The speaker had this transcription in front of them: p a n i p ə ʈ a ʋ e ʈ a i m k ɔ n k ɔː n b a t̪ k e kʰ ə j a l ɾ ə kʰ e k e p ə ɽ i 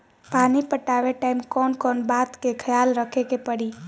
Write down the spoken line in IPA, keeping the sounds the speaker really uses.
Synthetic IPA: p a n i p ə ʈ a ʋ e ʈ a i m k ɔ n k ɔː n b a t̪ k e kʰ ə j a l ɾ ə kʰ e k e p ə ɽ i